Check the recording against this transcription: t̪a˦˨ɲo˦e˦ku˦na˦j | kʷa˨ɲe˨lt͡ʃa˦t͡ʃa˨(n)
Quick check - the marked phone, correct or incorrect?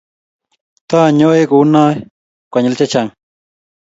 incorrect